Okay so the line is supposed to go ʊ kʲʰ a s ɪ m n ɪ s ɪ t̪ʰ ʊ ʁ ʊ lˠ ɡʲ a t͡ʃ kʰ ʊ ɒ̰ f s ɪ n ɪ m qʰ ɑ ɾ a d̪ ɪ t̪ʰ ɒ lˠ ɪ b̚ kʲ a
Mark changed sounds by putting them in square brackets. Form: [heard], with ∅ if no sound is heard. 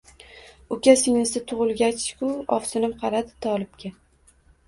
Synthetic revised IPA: ʊ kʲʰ a s ɪ [ŋ] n ɪ s ɪ t̪ʰ ʊ ʁ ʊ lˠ ɡʲ a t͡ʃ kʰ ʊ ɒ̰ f s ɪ n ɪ m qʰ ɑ ɾ a d̪ ɪ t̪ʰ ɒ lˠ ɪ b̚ kʲ a